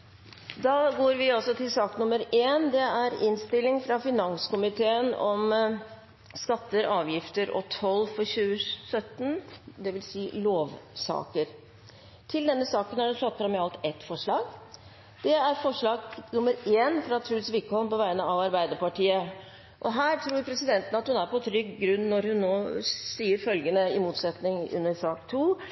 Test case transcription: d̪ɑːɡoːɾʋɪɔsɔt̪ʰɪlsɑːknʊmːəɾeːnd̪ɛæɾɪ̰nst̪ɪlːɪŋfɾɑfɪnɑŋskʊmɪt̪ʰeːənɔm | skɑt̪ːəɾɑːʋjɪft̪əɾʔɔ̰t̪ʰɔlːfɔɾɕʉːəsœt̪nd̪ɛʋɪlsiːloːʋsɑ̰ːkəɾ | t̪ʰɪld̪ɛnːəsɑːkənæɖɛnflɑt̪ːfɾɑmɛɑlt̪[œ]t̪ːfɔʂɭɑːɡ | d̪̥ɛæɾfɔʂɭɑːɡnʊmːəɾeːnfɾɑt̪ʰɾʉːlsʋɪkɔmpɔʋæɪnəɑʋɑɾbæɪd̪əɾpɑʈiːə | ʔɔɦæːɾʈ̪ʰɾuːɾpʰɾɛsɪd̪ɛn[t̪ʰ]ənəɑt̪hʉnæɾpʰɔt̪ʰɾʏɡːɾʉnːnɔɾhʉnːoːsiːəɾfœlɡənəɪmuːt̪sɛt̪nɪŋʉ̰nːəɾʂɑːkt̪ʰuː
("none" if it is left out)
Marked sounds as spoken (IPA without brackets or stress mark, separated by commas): ɛ, t̪